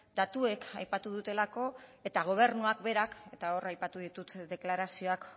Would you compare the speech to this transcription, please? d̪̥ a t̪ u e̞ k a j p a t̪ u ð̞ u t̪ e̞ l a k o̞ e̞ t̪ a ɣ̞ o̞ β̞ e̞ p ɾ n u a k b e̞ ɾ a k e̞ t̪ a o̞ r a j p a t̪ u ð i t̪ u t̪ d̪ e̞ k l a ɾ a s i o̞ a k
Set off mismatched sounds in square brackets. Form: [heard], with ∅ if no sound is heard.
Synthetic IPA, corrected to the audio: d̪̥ a t̪ u e̞ k a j p a t̪ u ð̞ u t̪ e̞ l a k o̞ e̞ t̪ a ɣ̞ o̞ β̞ e̞ [∅] ɾ n u a k b e̞ ɾ a k e̞ t̪ a o̞ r a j p a t̪ u ð i t̪ u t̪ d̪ e̞ k l a ɾ a s i o̞ a k